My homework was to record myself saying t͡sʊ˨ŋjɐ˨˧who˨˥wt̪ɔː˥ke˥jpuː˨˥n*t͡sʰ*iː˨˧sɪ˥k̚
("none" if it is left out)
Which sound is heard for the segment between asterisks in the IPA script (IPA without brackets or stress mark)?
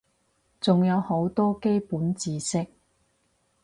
t͡s